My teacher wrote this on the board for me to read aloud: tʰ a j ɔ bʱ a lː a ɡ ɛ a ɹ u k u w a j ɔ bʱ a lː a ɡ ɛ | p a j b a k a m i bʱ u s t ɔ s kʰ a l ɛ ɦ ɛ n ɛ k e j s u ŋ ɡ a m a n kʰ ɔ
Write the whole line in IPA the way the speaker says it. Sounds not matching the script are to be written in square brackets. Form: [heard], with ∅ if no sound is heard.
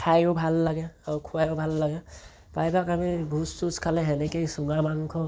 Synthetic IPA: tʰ a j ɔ bʱ a lː a ɡ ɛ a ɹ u [kʰ] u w a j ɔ bʱ a lː a ɡ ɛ | p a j b a k a m i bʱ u s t [u] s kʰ a l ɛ ɦ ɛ n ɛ k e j s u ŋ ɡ a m a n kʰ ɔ